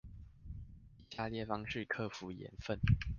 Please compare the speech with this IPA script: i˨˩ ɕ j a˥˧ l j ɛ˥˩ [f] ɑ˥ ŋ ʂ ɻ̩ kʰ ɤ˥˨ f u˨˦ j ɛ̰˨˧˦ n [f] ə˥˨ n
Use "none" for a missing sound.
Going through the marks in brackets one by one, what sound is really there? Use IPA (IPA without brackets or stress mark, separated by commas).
f, f